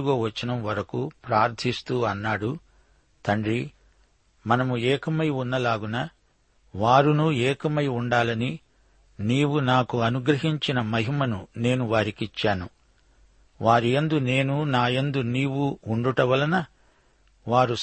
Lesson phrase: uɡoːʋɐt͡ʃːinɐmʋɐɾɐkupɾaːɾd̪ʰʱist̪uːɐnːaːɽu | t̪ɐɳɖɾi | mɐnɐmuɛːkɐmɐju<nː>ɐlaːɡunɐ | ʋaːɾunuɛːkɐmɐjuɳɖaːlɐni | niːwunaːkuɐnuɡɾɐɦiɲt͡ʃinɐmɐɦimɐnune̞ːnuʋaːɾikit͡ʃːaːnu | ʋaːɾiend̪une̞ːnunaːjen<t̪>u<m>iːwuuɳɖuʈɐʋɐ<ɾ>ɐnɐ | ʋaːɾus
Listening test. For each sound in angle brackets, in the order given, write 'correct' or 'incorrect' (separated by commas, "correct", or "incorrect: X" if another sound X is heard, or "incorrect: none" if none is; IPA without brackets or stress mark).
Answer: correct, incorrect: d̪, incorrect: n, incorrect: l